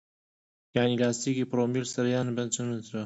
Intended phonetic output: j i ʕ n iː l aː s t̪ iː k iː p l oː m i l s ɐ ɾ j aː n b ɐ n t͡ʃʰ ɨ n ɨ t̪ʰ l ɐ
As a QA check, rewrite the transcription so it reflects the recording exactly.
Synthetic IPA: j a ʕ n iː l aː s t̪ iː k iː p ɾ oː m i l s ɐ ɾ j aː n b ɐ n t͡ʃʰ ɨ n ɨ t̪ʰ ɾ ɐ